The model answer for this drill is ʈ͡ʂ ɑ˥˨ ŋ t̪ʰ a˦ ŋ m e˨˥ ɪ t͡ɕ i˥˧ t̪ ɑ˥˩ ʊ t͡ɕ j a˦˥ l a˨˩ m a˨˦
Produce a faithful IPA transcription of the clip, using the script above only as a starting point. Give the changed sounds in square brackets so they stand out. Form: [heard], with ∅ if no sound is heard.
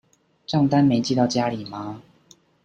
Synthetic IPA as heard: ʈ͡ʂ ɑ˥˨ ŋ [t̪] a˦ [n] m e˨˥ ɪ t͡ɕ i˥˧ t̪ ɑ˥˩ ʊ t͡ɕ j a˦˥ l [i˨˩] m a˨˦

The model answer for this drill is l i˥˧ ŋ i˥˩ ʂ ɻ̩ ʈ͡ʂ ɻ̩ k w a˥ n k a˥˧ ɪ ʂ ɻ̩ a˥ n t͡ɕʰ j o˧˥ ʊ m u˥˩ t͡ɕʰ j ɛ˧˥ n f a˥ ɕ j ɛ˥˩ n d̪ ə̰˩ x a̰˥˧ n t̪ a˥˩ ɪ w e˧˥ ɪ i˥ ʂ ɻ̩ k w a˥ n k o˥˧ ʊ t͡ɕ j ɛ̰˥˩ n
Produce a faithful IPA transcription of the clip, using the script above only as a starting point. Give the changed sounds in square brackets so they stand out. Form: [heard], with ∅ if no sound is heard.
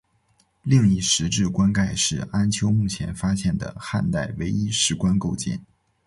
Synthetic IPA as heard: l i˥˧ ŋ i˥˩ ʂ ɻ̩ ʈ͡ʂ ɻ̩ k w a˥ n k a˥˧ ɪ ʂ ɻ̩ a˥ n t͡ɕʰ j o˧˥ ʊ m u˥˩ t͡ɕʰ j ɛ˧˥ n f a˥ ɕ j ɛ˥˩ n d̪ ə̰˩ x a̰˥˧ n t̪ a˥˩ ɪ w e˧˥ ɪ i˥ ʂ ɻ̩ k w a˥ n k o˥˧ ʊ t͡ɕ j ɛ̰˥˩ n

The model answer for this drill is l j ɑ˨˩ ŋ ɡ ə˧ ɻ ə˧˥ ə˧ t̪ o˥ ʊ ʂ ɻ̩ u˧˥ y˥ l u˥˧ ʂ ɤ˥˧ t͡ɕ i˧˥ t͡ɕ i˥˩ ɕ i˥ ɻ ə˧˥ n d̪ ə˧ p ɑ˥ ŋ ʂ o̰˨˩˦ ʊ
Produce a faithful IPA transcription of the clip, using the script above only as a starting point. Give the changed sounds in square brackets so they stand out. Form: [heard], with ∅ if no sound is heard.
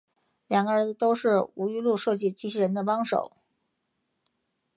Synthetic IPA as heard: l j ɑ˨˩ ŋ ɡ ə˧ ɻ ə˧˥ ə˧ t̪ o˥ ʊ ʂ ɻ̩ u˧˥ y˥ l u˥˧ ʂ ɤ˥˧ t͡ɕ [i˥˩] t͡ɕ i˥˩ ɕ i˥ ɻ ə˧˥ n d̪ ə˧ p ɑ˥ ŋ ʂ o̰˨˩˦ ʊ

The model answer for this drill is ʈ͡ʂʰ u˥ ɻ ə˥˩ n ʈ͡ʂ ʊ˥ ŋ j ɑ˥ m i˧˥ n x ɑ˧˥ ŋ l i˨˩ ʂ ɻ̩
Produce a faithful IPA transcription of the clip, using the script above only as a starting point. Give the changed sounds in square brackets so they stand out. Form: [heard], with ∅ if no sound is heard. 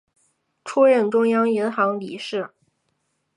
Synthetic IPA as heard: ʈ͡ʂʰ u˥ ɻ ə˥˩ n ʈ͡ʂ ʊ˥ ŋ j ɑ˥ [ŋ] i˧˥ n x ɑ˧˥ ŋ l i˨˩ ʂ ɻ̩

